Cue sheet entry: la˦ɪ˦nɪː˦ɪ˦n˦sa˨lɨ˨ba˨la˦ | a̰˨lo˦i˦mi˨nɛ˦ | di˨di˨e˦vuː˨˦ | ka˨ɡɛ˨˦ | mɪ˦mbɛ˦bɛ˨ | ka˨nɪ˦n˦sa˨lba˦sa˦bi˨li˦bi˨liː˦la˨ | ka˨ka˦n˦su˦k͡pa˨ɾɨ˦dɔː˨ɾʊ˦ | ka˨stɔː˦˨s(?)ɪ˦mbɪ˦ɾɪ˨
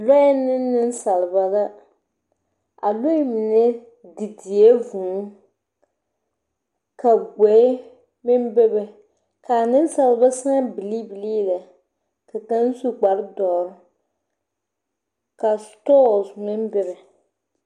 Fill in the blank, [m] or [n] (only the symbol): m